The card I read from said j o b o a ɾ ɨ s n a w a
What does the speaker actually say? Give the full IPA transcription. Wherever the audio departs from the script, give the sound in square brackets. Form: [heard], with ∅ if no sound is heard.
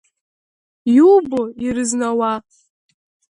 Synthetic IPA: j [u] b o [i] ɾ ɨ [z] n a w a